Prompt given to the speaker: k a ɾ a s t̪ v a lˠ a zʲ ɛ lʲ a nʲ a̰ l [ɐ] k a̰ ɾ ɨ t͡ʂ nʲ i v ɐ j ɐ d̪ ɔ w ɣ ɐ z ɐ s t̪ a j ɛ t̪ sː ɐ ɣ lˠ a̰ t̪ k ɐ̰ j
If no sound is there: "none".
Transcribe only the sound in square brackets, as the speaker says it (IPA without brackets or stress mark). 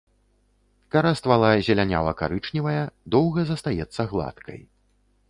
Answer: ɐ